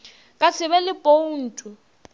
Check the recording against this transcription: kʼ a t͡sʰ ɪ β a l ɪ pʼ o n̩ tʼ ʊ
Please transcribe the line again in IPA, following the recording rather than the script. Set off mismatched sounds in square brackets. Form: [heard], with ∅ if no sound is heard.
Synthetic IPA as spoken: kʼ a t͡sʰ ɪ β [ɛ] l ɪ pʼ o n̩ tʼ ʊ